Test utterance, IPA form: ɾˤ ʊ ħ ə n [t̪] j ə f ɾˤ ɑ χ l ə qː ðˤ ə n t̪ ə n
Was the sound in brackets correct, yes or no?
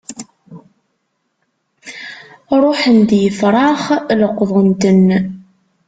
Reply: no